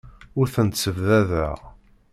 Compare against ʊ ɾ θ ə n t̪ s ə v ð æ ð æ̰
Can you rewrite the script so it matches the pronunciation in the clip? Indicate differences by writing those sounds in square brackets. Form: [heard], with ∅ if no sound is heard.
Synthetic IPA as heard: ʊ ɾ θ ə n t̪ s ə v ð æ ð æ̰

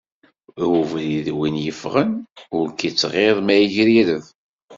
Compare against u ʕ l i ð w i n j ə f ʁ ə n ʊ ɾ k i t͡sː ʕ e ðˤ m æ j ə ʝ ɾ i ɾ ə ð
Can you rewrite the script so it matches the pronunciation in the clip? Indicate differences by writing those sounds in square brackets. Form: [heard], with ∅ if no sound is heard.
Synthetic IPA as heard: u [v] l i ð w i n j ə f ʁ ə n ʊ ɾ k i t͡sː [ʁ] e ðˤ m æ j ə ʝ ɾ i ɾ ə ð

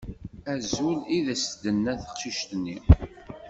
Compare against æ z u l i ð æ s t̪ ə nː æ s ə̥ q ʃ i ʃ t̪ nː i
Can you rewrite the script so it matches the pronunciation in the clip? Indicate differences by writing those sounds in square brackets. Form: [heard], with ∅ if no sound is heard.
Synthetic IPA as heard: æ z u l i ð æ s [d̪] ə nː æ [θ] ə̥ q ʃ i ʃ t̪ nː i

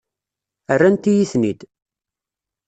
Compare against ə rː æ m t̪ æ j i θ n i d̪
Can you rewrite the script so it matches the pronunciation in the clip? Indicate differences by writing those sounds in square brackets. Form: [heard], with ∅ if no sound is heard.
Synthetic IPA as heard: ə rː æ [n] t̪ [i] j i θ n i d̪

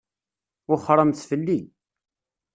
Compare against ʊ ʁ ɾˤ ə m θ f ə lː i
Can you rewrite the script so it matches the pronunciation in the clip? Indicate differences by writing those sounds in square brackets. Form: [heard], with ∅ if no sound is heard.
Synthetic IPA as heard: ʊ [χ] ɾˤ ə m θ f ə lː i

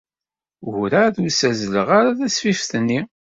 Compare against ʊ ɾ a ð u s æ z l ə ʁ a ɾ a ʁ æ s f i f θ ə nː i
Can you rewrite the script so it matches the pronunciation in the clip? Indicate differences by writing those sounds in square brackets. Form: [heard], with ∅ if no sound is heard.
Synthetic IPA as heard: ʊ ɾ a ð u s æ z l ə ʁ a ɾ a [ð] æ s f i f θ ə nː i

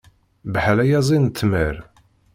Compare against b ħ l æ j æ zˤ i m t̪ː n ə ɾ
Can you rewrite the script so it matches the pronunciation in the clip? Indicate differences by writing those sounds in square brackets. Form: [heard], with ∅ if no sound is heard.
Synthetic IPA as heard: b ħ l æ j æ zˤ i [n] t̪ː [m] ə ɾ

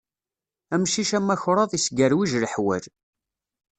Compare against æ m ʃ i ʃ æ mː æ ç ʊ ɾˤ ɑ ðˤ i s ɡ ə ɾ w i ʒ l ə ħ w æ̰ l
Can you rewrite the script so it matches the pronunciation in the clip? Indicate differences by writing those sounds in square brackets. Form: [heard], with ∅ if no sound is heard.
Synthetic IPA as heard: æ m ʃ i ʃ æ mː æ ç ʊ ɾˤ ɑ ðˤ i s ɡ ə ɾ w i ʒ l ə ħ w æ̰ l

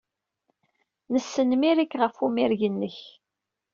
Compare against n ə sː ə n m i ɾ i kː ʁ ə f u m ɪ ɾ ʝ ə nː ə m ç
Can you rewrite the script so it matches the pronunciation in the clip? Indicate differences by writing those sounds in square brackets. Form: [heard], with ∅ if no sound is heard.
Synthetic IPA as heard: n ə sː ə n m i ɾ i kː ʁ ə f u m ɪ ɾ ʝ ə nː ə [∅] ç

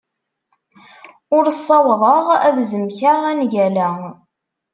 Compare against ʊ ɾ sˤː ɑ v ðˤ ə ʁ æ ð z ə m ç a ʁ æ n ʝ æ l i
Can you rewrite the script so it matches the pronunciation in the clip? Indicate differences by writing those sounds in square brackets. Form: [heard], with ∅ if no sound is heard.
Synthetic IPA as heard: ʊ ɾ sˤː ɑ [w] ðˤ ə ʁ æ ð z ə m ç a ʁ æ n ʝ æ l [æ]

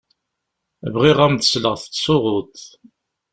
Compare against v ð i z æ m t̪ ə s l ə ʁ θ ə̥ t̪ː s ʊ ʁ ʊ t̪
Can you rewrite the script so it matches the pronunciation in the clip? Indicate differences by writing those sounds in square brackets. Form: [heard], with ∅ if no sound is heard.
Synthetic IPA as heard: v [ʁ] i [ʁ] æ m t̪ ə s l ə ʁ θ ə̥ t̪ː s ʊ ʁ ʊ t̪

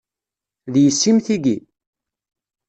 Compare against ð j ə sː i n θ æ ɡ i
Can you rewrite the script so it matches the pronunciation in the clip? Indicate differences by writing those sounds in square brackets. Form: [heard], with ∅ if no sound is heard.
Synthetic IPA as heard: ð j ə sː i [m] θ [i] ɡ i

